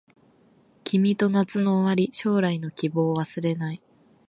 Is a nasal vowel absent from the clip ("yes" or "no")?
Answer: yes